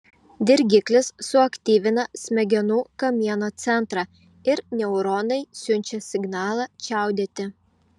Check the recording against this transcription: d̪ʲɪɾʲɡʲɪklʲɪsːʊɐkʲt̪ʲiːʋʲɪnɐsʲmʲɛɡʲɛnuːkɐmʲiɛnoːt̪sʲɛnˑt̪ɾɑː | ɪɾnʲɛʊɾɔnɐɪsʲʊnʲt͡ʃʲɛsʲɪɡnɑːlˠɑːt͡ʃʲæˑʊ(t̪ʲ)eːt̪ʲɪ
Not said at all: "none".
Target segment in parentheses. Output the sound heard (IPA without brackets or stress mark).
d̪ʲ